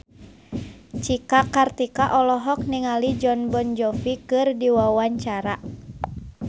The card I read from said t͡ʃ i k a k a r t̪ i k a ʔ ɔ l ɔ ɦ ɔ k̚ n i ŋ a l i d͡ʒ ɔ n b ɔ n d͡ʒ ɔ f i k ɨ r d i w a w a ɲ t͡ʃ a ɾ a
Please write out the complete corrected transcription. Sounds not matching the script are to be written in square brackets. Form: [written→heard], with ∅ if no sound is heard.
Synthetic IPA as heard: t͡ʃ i k a k a r t̪ i k a ʔ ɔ l ɔ ɦ ɔ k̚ n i ŋ a l i d͡ʒ ɔ n b ɔ n d͡ʒ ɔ f i k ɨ r d i w a w a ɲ t͡ʃ a ɾ a